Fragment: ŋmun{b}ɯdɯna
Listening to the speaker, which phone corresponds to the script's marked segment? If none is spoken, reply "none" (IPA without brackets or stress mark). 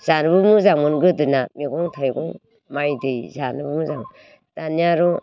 ɡ